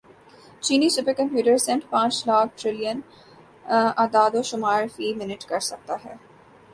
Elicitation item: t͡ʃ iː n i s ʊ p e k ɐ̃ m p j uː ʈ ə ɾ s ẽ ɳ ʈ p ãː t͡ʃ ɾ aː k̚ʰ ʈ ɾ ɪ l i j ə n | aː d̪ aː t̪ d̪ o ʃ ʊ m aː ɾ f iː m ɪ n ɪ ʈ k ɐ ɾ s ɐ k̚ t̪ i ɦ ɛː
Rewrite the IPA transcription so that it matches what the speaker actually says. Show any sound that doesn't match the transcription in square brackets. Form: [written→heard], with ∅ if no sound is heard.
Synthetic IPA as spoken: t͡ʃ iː n i s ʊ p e k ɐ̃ m p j uː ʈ ə ɾ s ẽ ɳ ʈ p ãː t͡ʃ [ɾ→l] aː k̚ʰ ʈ ɾ ɪ l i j ə n | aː d̪ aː [t̪→∅] d̪ o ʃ ʊ m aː ɾ f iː m ɪ n ɪ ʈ k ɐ ɾ s ɐ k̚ t̪ [i→a] ɦ ɛː